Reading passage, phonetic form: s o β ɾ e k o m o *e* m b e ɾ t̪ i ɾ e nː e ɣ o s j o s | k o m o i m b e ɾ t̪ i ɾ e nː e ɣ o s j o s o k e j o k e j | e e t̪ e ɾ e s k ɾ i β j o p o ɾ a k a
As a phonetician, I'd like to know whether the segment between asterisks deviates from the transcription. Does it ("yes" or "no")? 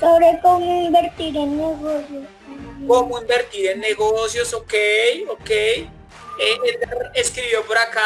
yes